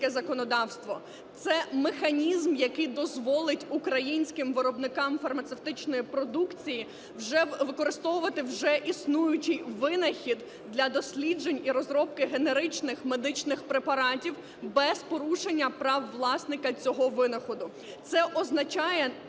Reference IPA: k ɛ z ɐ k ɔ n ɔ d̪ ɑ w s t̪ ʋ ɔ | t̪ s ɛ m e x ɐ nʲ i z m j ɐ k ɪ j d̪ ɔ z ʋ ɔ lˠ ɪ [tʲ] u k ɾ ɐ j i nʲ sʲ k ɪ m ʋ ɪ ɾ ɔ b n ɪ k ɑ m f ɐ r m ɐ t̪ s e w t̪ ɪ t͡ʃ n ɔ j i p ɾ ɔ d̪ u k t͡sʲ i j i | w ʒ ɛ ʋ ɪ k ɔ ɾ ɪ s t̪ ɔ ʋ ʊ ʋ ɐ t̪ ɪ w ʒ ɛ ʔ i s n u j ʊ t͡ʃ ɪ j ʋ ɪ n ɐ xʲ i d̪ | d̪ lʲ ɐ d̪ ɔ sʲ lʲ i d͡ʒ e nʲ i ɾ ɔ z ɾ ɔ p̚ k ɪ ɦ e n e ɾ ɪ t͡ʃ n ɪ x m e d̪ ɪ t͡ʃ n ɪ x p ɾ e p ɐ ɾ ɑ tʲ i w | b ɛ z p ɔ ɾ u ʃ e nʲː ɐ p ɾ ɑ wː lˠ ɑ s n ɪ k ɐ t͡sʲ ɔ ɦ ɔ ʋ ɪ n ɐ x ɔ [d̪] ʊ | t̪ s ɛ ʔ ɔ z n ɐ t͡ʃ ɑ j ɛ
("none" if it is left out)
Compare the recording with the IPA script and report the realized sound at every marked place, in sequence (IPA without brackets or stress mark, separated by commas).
tʲ, d̪